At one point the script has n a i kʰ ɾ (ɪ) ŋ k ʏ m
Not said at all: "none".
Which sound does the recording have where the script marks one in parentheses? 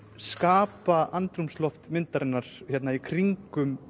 i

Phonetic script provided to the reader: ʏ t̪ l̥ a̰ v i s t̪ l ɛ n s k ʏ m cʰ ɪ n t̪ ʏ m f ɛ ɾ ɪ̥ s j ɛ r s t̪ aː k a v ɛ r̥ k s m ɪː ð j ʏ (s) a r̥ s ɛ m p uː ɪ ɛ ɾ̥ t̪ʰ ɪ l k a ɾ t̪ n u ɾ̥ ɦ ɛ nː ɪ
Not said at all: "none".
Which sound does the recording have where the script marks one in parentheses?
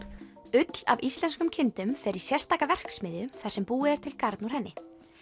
θ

